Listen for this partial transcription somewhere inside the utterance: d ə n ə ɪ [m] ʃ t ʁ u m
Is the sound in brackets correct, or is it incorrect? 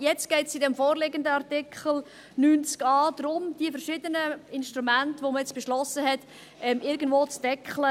incorrect